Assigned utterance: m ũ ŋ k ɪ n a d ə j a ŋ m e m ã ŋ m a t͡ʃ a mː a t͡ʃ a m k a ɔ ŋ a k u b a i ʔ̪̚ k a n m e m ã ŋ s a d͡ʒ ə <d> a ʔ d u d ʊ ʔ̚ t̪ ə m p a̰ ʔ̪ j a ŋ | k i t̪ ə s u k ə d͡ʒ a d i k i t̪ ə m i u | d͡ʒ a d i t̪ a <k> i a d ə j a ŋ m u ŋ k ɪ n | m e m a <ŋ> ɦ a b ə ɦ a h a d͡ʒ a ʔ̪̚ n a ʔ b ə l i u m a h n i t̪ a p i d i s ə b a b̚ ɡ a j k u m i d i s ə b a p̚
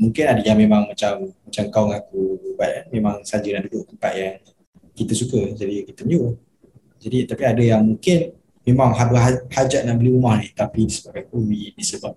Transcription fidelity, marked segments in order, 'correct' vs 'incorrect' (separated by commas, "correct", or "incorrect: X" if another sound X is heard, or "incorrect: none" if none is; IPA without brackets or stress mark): incorrect: n, incorrect: p, correct